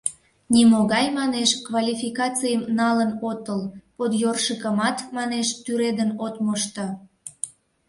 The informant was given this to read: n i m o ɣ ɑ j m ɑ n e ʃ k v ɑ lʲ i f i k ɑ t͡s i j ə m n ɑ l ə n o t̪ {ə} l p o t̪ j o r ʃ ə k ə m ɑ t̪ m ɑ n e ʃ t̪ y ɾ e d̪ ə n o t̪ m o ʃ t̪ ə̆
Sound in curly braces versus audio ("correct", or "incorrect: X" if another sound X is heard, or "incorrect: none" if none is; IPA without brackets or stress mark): correct